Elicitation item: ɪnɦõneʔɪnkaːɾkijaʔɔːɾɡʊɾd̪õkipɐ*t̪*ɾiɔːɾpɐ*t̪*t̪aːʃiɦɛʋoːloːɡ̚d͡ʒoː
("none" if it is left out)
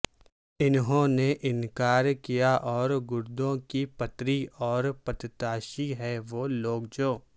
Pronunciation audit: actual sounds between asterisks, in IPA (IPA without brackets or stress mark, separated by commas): t̪, t̪